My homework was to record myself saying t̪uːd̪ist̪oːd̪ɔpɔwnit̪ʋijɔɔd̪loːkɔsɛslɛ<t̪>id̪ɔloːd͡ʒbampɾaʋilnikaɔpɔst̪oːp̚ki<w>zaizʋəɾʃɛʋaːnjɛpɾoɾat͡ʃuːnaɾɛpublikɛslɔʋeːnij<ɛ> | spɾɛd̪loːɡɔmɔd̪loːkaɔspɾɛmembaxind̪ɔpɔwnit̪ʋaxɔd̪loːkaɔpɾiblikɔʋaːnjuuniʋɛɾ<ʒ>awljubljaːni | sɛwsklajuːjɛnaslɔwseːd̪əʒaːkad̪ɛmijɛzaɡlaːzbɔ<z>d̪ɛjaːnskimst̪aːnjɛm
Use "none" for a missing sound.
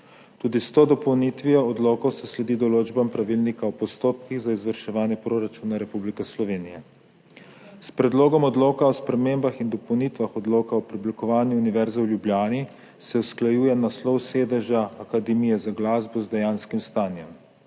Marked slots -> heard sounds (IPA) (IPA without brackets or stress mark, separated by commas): d̪, ɣ, ɛ, z, z